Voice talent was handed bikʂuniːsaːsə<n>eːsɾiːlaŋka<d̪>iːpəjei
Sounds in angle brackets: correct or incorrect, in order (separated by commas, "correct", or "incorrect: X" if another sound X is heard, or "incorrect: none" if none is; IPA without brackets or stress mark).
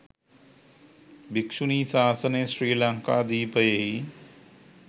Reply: correct, correct